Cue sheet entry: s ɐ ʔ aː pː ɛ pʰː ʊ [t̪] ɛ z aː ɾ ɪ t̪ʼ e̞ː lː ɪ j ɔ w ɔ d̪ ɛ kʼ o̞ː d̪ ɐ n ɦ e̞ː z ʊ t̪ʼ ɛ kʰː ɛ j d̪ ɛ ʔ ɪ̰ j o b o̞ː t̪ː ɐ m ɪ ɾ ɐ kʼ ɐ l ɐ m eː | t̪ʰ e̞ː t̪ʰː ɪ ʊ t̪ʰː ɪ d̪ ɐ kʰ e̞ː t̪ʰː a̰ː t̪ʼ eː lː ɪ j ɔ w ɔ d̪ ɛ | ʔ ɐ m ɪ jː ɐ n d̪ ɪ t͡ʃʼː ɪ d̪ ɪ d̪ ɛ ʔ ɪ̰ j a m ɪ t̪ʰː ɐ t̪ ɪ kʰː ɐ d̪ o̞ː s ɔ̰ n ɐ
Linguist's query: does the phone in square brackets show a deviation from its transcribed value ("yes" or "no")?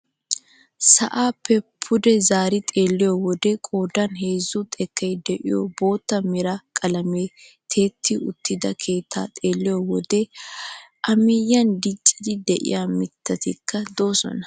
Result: yes